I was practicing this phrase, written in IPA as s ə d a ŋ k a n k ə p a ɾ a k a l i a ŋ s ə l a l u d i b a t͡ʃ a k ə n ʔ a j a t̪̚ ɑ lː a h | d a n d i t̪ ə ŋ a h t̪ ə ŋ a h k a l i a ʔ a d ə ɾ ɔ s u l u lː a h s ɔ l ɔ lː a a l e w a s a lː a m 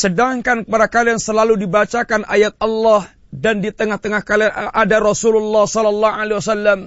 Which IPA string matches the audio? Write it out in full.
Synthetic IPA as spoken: s ə d a ŋ k a n k ə p a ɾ a k a l i a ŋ s ə l a l u d i b a t͡ʃ a k a n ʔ a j a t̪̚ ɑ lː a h | d a n d i t̪ ə ŋ a h t̪ ə ŋ a h k a l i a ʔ a d a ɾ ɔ s u l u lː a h s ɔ l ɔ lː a a l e w a s a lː a m